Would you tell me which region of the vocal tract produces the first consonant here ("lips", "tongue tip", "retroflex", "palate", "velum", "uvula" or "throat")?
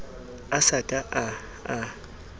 tongue tip